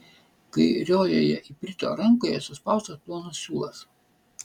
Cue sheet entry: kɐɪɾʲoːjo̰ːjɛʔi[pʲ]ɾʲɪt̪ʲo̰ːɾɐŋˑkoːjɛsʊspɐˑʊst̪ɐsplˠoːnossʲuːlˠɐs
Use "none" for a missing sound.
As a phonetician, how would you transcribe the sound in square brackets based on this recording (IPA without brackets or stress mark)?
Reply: pʲ